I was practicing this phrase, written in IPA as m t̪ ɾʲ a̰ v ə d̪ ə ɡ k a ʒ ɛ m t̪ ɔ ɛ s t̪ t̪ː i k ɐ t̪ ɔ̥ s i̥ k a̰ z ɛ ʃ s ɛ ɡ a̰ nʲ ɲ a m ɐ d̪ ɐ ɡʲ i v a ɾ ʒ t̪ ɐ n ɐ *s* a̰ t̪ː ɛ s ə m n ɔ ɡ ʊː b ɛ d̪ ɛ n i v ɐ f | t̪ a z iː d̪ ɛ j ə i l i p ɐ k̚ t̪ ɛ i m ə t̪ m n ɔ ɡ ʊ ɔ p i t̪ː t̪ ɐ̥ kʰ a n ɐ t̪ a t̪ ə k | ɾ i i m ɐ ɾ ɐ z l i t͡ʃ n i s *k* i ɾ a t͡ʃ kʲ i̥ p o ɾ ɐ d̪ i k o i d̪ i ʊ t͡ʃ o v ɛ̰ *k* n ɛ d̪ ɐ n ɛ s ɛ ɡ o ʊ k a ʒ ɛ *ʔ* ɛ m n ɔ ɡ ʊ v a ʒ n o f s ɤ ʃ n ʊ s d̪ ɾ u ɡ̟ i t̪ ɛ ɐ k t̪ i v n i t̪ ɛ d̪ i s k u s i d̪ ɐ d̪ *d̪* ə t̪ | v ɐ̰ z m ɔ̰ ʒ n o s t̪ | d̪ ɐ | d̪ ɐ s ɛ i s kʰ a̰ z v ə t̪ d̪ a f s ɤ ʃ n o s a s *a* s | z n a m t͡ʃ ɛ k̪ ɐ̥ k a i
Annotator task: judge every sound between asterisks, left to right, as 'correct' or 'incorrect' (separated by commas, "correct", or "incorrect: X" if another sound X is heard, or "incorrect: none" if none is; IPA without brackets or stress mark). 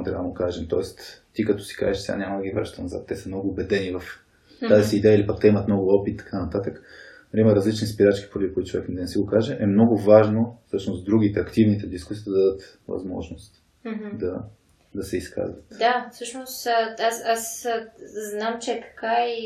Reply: incorrect: z, incorrect: p, correct, correct, correct, correct